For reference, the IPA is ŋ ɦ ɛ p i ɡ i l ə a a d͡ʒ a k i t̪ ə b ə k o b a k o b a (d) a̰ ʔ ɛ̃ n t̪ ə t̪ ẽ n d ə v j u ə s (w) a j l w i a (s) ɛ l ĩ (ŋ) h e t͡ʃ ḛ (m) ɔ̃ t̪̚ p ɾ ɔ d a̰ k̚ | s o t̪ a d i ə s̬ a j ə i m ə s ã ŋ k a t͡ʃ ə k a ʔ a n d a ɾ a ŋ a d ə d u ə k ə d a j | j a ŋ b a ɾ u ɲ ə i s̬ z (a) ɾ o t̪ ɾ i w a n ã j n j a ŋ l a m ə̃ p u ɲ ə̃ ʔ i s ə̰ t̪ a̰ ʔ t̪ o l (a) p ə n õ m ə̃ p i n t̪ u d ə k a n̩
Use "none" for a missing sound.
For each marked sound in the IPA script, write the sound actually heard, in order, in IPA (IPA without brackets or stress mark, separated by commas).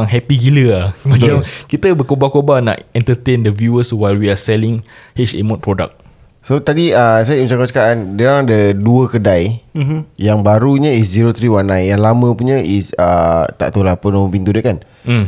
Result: n, w, s, ŋ, m, i, a